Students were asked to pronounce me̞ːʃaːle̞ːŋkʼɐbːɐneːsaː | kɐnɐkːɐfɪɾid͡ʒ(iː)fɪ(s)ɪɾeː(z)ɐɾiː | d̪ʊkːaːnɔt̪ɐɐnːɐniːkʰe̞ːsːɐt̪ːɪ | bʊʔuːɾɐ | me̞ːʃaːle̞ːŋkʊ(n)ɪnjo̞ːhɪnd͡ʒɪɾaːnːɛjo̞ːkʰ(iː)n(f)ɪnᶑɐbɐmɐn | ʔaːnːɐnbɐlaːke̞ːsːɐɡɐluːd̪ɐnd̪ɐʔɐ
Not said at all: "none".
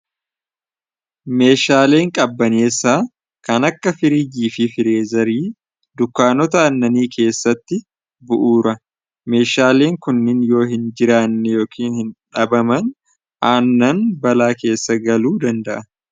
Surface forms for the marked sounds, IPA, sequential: iː, f, z, nː, iː, h

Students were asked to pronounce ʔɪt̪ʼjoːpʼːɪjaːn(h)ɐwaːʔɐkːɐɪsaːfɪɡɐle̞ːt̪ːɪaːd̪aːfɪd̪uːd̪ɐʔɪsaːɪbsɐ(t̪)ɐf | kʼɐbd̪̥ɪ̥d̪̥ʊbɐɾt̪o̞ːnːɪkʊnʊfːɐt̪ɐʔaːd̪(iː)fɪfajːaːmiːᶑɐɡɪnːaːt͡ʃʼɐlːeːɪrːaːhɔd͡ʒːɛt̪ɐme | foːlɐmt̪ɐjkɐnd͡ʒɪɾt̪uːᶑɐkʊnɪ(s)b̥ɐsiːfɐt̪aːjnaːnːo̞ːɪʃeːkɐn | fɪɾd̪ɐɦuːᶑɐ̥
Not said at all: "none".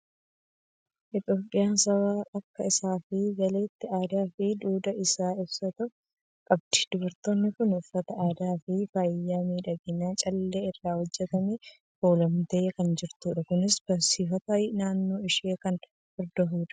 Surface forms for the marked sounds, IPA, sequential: s, t̪, aː, s

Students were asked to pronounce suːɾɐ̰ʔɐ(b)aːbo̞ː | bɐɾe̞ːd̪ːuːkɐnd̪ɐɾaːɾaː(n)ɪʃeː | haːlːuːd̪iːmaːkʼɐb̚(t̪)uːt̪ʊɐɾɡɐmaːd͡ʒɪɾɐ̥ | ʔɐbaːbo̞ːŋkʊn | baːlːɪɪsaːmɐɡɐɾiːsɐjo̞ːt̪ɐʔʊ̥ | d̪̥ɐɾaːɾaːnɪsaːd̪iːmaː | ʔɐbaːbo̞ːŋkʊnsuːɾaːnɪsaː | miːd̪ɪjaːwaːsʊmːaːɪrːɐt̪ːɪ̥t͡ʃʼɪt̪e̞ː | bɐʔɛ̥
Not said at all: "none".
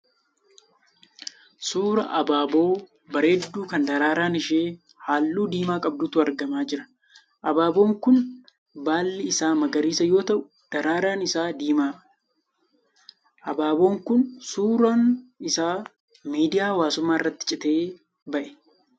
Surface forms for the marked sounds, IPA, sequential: b, n, d̪

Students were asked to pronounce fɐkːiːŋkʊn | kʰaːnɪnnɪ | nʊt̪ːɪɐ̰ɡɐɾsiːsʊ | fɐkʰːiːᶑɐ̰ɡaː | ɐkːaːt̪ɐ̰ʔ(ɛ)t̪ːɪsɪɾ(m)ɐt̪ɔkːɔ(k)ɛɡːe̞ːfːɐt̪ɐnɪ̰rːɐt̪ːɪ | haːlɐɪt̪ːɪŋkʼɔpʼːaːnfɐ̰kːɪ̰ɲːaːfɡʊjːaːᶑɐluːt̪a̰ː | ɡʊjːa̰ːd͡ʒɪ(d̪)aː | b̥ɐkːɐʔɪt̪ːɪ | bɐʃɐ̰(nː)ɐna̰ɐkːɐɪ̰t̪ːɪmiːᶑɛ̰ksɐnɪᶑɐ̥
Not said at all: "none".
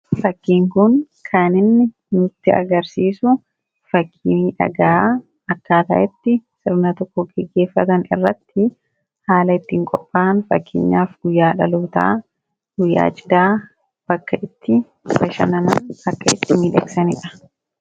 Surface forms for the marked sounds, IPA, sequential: ɛ, n, ɡ, d̪, n

